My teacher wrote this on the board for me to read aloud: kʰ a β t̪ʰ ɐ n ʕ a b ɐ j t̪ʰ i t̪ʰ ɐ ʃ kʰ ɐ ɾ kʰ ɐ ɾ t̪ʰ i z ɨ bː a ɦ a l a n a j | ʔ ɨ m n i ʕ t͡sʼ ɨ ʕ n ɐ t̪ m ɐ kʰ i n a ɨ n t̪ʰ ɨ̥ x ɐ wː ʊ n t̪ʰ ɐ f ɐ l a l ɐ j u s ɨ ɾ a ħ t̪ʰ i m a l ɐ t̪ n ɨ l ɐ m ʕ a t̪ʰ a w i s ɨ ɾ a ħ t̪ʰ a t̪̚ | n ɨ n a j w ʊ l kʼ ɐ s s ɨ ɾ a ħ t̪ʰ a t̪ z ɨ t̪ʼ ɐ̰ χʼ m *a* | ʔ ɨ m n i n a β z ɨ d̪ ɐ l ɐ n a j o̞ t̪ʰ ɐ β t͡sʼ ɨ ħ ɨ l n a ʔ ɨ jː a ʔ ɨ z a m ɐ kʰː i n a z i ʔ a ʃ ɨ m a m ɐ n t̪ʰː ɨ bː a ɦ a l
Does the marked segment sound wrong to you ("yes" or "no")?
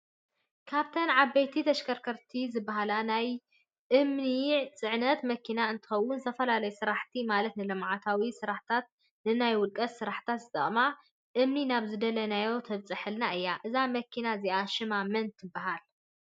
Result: no